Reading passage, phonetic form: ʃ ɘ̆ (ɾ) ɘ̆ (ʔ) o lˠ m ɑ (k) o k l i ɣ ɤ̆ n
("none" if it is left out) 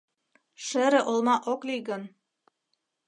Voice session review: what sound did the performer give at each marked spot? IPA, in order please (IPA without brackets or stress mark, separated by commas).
ɾ, ʔ, ʔ